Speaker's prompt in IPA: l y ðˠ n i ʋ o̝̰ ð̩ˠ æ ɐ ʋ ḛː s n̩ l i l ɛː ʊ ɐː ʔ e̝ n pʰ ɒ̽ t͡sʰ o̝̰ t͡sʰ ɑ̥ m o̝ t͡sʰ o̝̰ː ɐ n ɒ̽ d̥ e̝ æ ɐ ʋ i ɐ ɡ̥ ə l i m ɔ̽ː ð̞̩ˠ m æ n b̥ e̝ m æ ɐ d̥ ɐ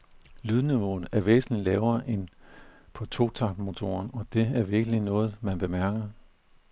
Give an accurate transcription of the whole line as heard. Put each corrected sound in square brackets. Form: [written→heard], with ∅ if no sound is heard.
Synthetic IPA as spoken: l y ðˠ n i ʋ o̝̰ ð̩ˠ æ ɐ ʋ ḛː s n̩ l i l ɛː ʊ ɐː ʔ e̝ n pʰ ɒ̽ t͡sʰ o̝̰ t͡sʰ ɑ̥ m o̝ t͡sʰ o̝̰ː ɐ n ɒ̽ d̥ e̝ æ ɐ ʋ i ɐ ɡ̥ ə l i [m→n] ɔ̽ː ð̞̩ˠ m æ n b̥ e̝ m æ ɐ [d̥→ɡ̥] ɐ